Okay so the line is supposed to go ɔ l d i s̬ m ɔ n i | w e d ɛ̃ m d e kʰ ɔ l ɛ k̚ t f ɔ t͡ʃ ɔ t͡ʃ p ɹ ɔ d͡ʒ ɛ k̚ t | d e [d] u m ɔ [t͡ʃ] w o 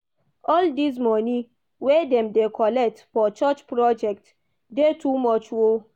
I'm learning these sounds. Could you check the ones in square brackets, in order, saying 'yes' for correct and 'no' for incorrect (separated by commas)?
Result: no, yes